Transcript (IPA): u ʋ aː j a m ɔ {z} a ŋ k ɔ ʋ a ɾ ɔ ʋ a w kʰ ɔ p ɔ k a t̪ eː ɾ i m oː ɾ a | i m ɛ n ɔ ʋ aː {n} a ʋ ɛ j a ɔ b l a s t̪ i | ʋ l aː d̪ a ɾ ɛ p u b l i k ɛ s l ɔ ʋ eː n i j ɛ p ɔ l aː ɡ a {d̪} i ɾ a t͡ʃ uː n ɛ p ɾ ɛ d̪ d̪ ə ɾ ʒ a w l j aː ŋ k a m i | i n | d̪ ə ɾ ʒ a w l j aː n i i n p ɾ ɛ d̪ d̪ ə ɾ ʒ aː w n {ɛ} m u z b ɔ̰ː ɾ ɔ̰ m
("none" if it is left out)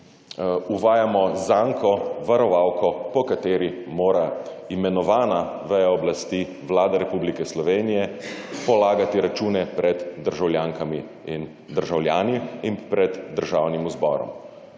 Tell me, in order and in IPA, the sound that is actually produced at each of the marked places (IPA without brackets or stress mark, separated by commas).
z, n, t̪, i